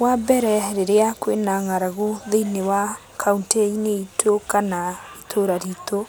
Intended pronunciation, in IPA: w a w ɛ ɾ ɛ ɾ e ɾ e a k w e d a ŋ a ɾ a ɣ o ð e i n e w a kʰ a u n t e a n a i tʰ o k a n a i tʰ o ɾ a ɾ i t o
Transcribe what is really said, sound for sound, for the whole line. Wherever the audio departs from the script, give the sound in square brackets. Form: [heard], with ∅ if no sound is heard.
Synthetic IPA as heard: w a [b] ɛ ɾ ɛ ɾ e ɾ e a k w e [n] a ŋ a ɾ a ɣ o ð e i n e w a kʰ a u n t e [i] n [e] i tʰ o k a n a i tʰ o ɾ a ɾ i t o